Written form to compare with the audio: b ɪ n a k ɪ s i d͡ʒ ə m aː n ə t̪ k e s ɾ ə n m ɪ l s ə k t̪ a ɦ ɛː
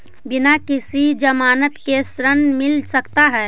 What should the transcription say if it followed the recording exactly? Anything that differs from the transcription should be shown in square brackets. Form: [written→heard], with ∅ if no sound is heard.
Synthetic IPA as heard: b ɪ n a k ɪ s i d͡ʒ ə m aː n ə t̪ k e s ɾ ə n m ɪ l s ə k t̪ a ɦ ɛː